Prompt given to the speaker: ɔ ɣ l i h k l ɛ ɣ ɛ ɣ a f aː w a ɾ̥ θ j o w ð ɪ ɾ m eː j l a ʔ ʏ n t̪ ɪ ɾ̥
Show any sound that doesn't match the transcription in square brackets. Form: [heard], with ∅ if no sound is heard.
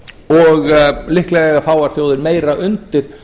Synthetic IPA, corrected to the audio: ɔ ɣ l [ɪ] h k l ɛ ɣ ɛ ɣ a f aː w a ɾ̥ θ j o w ð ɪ ɾ m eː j [ɾ] a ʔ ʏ n t̪ ɪ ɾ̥